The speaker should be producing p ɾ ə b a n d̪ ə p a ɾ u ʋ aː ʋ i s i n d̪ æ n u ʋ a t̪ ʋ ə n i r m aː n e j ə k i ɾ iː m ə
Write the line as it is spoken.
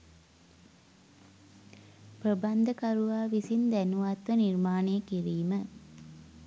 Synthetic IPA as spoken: p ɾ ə b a n d̪ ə k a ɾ u ʋ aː ʋ i s i n d̪ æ n u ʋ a t̪ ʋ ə n i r m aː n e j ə k i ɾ iː m ə